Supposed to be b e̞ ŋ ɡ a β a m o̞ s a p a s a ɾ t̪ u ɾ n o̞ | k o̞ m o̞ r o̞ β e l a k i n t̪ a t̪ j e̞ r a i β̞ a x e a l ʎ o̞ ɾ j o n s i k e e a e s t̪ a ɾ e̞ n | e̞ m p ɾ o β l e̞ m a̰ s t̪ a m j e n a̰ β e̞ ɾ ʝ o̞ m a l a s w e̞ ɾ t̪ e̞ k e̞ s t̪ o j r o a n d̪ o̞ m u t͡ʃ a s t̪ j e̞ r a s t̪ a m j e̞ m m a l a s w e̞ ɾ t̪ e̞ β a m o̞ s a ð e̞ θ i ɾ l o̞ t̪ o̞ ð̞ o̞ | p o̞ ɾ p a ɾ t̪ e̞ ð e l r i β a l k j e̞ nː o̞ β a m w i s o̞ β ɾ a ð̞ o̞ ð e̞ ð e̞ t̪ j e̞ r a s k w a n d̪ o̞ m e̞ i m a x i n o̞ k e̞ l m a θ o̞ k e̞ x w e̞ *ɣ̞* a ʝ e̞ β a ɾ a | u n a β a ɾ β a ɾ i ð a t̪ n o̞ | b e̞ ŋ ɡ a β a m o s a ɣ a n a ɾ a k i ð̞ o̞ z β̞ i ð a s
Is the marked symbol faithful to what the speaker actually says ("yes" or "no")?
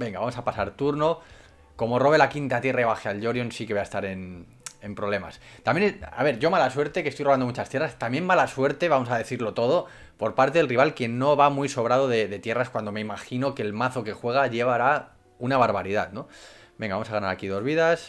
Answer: yes